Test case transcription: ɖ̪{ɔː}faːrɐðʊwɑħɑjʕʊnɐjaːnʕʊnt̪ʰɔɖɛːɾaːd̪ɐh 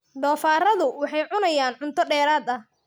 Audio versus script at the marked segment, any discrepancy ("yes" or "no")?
no